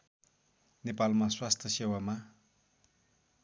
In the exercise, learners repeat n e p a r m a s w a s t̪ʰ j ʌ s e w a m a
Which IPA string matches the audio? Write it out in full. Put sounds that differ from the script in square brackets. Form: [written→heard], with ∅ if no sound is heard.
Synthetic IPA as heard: n e p a [r→l] m a s w a s t̪ʰ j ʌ s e w a m a